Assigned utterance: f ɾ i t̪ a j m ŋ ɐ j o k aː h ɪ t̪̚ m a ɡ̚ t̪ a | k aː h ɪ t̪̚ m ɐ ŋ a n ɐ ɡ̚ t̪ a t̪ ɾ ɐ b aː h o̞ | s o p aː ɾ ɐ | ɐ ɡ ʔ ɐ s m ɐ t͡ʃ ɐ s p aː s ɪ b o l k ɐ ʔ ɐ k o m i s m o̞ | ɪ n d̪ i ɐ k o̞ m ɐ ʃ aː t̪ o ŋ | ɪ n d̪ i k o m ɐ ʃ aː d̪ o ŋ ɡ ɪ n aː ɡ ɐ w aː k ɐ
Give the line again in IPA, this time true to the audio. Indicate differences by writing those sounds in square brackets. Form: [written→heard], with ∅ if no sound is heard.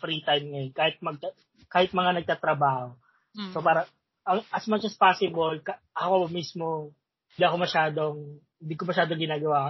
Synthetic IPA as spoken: f ɾ i t̪ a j m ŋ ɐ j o k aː h ɪ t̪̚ m [a→ɐ] ɡ̚ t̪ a | k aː h ɪ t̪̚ m ɐ ŋ a n ɐ ɡ̚ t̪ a t̪ ɾ ɐ b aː h o̞ | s o p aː ɾ ɐ | ɐ [ɡ→ŋ] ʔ ɐ s m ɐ t͡ʃ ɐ s p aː s ɪ b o l k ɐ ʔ ɐ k o m i s m o̞ | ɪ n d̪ i ɐ k o̞ m ɐ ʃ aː [t̪→d̪] o ŋ | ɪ n d̪ i k o m ɐ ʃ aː d̪ o ŋ ɡ ɪ n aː ɡ ɐ w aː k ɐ